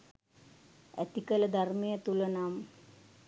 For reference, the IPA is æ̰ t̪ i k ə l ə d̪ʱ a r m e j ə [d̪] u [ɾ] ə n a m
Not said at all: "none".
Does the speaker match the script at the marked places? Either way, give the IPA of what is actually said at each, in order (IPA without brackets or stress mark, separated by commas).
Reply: t̪, l